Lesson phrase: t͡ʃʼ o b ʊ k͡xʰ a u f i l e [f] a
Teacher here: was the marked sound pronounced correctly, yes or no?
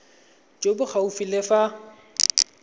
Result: yes